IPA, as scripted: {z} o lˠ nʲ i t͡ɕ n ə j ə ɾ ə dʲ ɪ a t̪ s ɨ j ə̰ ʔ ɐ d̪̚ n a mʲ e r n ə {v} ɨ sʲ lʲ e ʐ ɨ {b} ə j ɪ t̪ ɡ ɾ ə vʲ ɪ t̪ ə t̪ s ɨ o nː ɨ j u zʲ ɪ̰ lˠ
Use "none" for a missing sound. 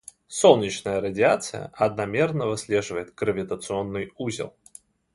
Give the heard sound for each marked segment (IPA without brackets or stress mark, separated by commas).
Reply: s, v, v